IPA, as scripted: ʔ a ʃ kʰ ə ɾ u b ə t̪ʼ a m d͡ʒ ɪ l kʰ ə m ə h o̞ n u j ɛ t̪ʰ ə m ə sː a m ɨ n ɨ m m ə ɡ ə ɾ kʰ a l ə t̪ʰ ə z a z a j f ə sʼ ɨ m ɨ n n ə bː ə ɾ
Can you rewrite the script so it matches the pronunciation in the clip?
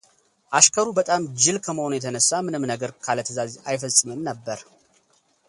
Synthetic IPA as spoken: ʔ a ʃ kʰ ə ɾ u b ə t̪ʼ a m d͡ʒ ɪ l kʰ ə m ə h o̞ n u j ɛ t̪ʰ ə n ə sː a m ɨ n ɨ m n ə ɡ ə ɾ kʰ a l ə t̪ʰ ə z a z a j f ə sʼ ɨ m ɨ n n ə bː ə ɾ